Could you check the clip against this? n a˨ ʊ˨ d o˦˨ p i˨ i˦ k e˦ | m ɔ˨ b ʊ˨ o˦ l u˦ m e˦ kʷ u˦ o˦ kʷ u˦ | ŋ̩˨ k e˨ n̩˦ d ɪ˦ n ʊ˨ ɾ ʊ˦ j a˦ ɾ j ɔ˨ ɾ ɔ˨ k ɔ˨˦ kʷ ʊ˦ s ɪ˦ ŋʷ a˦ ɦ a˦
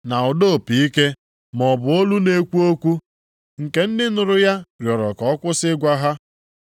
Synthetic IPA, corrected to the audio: n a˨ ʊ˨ d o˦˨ p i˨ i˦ k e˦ | m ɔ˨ b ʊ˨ o˦ l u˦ n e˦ kʷ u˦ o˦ kʷ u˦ | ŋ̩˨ k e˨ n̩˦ d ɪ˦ n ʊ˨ ɾ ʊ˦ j a˦ ɾ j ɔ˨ ɾ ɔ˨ k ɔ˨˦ kʷ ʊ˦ s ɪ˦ ɡʷ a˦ ɦ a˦